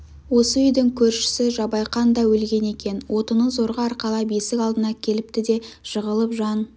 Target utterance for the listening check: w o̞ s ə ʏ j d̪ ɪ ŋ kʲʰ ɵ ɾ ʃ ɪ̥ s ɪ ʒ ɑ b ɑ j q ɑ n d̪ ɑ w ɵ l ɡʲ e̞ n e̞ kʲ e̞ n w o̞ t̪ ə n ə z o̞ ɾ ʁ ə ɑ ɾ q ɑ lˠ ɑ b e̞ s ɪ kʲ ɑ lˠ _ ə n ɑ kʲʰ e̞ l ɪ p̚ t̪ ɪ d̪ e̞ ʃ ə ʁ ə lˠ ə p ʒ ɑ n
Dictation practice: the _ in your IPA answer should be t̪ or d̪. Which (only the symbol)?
d̪